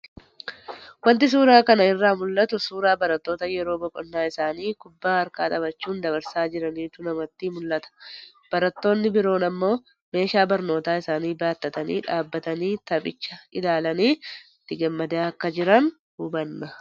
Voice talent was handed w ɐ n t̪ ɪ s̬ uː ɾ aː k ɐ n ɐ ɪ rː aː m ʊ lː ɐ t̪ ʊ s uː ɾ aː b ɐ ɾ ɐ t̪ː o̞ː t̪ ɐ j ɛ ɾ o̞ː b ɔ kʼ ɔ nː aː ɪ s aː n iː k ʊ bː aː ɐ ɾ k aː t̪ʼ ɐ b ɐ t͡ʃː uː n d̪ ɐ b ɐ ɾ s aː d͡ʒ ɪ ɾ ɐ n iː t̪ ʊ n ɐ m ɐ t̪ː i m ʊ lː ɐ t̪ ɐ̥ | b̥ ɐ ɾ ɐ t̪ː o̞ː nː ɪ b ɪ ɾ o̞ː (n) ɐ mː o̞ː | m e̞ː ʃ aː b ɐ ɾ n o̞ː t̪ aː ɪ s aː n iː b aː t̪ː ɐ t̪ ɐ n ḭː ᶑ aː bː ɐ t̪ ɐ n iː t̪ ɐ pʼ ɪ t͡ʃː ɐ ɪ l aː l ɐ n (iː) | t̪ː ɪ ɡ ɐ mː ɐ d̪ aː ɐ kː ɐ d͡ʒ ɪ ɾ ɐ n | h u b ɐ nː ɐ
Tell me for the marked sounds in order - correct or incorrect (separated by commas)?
correct, correct